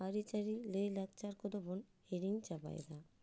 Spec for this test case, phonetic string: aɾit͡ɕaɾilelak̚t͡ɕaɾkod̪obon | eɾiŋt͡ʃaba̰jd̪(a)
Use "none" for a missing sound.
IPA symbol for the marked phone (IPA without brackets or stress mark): a